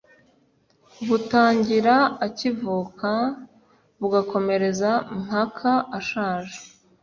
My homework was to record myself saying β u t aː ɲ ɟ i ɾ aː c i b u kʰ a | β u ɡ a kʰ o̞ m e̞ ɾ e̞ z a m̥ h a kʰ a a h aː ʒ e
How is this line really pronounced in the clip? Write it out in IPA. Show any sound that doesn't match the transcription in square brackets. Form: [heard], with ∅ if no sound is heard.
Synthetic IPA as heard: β u t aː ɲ ɟ i ɾ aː c i [v] u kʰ a | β u ɡ a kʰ o̞ m e̞ ɾ e̞ z a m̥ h a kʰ a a [ʃ] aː ʒ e